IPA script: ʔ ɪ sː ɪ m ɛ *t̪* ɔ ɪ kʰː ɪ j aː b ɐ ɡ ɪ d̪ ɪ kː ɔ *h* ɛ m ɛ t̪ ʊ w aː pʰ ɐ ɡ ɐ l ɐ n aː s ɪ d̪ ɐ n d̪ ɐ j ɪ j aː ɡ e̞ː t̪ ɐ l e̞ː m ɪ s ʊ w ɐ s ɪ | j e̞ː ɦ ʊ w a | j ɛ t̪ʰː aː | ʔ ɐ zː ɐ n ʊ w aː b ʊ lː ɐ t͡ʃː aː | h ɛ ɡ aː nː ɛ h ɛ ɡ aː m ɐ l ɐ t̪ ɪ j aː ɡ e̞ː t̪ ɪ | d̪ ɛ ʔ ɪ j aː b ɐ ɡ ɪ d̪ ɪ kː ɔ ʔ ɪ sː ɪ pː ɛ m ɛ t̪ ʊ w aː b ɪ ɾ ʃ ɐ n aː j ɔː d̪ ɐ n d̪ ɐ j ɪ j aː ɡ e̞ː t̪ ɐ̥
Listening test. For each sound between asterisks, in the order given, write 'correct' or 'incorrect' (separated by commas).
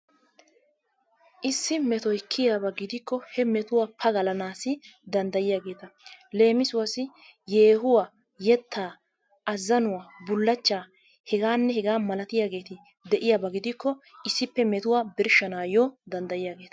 correct, correct